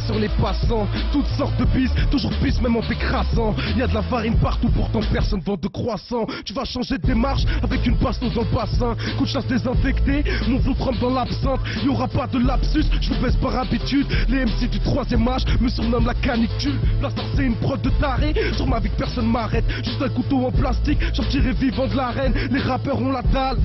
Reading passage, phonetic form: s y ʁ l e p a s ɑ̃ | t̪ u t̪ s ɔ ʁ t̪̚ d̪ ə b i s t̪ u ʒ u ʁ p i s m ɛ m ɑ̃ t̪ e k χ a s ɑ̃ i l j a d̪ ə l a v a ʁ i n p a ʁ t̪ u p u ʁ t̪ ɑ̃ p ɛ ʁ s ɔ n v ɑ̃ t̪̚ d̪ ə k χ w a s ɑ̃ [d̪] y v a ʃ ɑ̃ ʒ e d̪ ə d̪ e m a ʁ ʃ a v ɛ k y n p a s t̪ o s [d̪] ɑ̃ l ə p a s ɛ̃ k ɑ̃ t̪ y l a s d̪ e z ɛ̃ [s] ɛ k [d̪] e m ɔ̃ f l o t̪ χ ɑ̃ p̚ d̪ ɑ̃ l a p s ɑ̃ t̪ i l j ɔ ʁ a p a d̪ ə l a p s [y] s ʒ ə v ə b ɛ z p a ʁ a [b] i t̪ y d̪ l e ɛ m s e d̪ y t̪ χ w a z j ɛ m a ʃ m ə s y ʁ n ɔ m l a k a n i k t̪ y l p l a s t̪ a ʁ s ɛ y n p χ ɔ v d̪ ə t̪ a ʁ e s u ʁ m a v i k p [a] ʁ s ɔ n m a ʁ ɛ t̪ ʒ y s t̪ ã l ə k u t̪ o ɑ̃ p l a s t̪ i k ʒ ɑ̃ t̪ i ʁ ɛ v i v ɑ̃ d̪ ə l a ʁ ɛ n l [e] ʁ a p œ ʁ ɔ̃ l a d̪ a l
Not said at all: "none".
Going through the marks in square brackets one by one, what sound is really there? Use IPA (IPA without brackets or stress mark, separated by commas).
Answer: t̪, d̪, f, t̪, y, b, ɛ, e